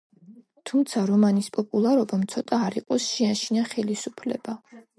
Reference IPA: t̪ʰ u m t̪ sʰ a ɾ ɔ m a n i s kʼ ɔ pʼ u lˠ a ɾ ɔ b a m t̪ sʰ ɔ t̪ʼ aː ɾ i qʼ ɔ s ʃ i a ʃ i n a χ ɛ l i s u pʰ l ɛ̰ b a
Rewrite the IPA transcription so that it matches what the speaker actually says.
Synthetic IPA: t̪ʰ u m t̪ sʰ a ɾ ɔ m a n i s pʼ ɔ pʼ u lˠ a ɾ ɔ b a m t̪ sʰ ɔ t̪ʼ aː ɾ i qʼ ɔ s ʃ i a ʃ i n a χ ɛ l i s u pʰ l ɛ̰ b a

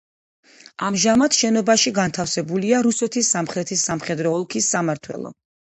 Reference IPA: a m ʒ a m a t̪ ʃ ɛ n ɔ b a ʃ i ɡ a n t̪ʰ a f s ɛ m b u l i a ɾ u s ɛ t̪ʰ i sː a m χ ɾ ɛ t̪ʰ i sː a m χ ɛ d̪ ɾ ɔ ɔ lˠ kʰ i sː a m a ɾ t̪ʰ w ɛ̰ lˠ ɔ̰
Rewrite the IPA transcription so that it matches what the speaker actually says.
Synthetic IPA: a m ʒ a m a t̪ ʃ ɛ n ɔ b a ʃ i ɡ a n t̪ʰ a f s ɛ b u l i a ɾ u s ɛ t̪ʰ i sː a m χ ɾ ɛ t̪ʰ i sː a m χ ɛ d̪ ɾ ɔ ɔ lˠ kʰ i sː a m a ɾ t̪ʰ w ɛ̰ lˠ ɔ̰

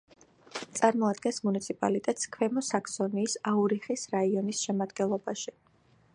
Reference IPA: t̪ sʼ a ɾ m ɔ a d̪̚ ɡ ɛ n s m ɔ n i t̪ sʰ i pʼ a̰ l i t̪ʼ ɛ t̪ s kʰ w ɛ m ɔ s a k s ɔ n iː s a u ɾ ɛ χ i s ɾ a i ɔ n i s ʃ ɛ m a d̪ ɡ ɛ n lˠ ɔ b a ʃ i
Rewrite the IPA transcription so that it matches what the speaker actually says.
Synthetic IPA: t̪ sʼ a ɾ m ɔ a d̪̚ ɡ ɛ n s m u n i t̪ sʰ i pʼ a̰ l i t̪ʼ ɛ t̪ s kʰ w ɛ m ɔ s a k s ɔ n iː s a u ɾ i χ i s ɾ a i ɔ n i s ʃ ɛ m a d̪ ɡ ɛ n lˠ ɔ b a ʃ i

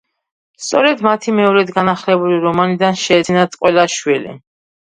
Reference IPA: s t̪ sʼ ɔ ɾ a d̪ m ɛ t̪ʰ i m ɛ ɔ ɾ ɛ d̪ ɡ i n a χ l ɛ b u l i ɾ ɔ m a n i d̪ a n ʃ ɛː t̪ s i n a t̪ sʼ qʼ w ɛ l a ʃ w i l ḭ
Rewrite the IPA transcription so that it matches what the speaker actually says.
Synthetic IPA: s t̪ sʼ ɔ ɾ ɛ d̪ m a t̪ʰ i m ɛ ɔ ɾ ɛ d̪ ɡ a n a χ l ɛ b u l i ɾ ɔ m a n i d̪ a n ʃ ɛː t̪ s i n a t̪ sʼ qʼ w ɛ l a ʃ w i l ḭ

